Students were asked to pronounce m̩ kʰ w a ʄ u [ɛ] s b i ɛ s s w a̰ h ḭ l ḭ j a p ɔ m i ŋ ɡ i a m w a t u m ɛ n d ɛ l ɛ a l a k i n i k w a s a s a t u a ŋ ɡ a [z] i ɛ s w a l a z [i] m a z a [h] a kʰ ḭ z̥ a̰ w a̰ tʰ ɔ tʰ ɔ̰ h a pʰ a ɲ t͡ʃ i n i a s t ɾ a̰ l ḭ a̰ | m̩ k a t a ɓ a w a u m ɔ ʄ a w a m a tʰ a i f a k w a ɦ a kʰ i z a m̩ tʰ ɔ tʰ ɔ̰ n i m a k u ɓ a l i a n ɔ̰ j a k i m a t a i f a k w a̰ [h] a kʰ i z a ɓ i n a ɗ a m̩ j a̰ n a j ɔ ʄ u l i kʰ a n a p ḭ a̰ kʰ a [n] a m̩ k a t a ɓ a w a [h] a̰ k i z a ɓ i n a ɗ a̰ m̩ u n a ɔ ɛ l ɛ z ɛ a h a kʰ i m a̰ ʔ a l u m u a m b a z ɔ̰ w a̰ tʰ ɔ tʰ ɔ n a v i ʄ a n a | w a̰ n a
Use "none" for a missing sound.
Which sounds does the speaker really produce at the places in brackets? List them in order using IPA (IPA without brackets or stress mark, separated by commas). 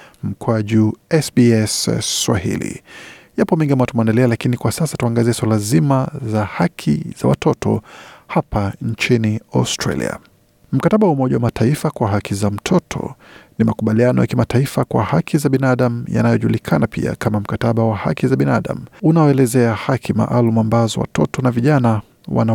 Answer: ɛ, z, i, h, h, m, h